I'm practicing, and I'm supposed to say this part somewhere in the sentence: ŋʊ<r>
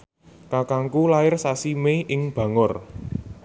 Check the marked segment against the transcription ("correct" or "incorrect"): correct